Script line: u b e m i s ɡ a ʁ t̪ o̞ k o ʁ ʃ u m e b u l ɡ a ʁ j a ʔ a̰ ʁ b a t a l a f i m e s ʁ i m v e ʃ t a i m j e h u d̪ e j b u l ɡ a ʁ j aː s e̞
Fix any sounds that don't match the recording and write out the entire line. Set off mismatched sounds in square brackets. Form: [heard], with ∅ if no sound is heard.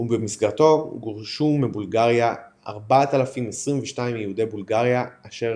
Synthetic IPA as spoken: u b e m i s ɡ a ʁ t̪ o̞ [ɡ] o ʁ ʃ u m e b u l ɡ a ʁ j a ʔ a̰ ʁ b a t a l a f i m e s ʁ i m v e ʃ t a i m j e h u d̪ e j b u l ɡ a ʁ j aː [ʃ] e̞